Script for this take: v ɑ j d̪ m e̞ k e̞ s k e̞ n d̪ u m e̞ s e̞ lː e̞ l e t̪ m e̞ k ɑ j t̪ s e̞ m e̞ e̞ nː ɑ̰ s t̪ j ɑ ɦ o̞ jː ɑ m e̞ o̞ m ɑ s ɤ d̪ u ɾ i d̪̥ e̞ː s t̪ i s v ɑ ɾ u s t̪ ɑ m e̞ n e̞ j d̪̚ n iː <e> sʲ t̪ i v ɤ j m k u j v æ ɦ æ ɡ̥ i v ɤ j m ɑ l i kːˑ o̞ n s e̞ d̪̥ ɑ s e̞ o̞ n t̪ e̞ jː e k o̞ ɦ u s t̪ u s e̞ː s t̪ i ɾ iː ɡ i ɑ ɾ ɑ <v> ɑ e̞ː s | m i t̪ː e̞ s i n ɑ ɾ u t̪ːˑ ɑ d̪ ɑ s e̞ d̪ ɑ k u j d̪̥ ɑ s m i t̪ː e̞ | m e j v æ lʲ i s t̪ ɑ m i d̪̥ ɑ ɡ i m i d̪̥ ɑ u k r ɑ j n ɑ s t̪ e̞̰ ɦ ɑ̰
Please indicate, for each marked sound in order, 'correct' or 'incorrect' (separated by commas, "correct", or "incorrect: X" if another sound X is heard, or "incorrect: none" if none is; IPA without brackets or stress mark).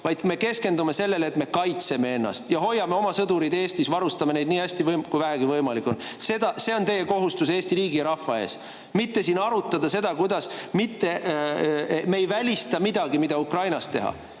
incorrect: æ, incorrect: f